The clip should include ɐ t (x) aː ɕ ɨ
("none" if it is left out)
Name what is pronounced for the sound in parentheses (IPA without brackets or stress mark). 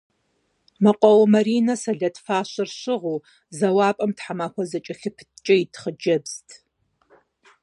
f